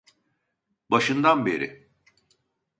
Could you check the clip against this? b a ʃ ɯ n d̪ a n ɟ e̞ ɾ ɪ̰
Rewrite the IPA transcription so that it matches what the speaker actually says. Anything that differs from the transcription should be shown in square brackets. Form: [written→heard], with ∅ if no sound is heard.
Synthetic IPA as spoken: b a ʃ ɯ n d̪ a n [ɟ→b] e̞ ɾ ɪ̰

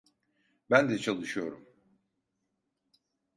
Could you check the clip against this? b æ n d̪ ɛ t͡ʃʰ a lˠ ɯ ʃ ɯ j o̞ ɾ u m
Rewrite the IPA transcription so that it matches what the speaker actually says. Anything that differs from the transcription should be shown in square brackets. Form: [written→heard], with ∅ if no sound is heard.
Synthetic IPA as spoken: b æ n d̪ ɛ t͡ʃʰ a lˠ ɯ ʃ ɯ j o̞ ɾ u m

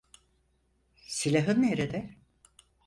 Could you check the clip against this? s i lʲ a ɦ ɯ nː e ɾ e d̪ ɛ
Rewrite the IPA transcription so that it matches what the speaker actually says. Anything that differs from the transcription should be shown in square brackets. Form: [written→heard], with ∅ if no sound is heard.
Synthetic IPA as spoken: s i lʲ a ɦ ɯ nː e ɾ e d̪ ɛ

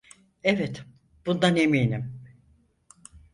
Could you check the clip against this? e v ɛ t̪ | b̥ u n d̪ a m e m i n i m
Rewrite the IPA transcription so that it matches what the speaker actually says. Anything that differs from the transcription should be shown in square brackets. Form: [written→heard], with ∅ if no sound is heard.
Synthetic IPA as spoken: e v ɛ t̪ | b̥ u n d̪ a [m→n] e m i n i m

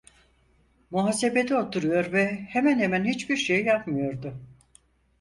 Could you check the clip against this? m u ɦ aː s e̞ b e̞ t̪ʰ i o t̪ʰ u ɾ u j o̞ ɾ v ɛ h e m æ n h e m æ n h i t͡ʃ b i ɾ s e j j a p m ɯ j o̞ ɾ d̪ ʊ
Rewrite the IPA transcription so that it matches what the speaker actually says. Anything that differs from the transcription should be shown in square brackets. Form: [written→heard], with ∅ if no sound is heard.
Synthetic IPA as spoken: m u ɦ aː s e̞ b e̞ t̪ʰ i o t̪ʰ u ɾ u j o̞ ɾ v ɛ h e m æ n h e m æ n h i t͡ʃ b i ɾ [s→ʃ] e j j a p m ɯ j o̞ ɾ d̪ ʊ

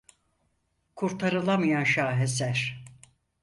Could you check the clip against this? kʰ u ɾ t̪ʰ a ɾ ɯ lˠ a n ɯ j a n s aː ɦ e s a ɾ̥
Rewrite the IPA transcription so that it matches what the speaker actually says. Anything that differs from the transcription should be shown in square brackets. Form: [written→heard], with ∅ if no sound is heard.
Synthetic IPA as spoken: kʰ u ɾ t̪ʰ a ɾ ɯ lˠ a [n→m] ɯ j a n [s→ʃ] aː ɦ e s [a→æ] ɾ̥

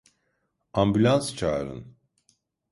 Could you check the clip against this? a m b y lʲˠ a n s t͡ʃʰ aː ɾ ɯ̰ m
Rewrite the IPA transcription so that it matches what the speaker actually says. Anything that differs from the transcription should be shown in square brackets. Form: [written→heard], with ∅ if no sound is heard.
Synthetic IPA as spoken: a m b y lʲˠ a n s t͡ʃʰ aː ɾ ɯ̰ [m→n]

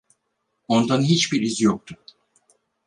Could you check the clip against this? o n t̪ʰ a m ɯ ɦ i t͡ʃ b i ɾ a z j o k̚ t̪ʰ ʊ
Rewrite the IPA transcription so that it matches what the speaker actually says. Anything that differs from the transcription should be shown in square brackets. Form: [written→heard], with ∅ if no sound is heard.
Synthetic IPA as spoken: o n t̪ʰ a [m→n] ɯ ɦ i t͡ʃ b i ɾ [a→i] z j o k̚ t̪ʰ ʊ

